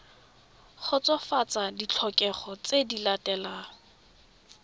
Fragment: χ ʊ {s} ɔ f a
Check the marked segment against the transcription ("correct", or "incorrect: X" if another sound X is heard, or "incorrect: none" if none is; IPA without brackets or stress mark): incorrect: t͡s